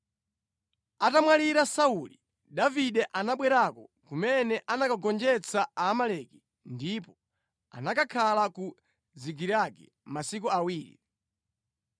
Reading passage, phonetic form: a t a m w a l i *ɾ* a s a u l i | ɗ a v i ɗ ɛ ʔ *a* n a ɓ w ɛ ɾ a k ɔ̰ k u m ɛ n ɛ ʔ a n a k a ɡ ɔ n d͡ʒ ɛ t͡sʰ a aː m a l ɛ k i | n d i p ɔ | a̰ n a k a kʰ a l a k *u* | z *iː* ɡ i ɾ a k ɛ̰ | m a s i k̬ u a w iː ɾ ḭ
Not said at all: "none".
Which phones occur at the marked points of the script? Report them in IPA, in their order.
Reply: ɾ, a, u, i

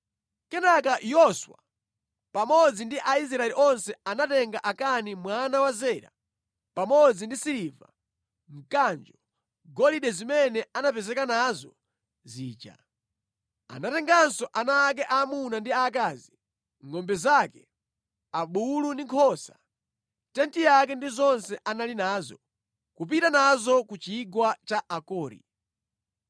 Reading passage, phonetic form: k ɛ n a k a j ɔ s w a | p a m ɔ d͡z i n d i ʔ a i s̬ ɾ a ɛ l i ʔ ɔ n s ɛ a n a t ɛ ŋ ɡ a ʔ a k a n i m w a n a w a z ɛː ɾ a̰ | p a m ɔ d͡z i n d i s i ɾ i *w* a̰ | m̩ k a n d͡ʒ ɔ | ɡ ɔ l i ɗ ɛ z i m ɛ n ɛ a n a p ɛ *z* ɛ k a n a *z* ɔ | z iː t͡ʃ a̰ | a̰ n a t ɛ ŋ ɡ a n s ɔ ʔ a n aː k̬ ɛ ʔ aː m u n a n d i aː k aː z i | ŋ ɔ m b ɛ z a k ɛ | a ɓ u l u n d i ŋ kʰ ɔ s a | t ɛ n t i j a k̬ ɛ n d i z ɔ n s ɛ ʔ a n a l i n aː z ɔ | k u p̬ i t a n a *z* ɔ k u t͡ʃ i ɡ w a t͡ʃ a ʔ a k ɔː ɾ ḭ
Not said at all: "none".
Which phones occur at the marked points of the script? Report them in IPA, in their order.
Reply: v, z, z, z

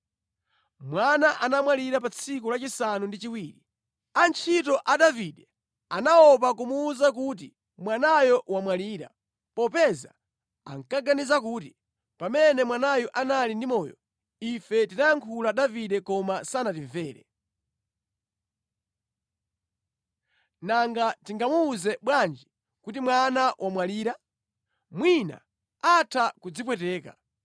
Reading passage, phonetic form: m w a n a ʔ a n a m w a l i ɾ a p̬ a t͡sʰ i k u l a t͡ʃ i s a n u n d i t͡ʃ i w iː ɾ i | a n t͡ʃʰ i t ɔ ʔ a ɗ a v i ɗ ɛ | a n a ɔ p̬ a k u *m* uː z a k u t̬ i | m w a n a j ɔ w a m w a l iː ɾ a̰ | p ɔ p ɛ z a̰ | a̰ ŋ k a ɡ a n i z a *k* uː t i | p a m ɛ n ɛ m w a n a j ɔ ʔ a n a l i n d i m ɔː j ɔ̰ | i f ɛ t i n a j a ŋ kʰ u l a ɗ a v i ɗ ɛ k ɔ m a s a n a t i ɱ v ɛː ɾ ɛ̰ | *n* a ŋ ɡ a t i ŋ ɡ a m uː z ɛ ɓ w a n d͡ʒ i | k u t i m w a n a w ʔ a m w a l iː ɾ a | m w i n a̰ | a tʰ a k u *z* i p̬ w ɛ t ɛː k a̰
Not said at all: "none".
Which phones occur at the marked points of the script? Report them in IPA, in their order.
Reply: m, k, n, d͡z

